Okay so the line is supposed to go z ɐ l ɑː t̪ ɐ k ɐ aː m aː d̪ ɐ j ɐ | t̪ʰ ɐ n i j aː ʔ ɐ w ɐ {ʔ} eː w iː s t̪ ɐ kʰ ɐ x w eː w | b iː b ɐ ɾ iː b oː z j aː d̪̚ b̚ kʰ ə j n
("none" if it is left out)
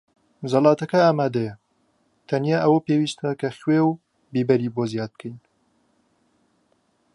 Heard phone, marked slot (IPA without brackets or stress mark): p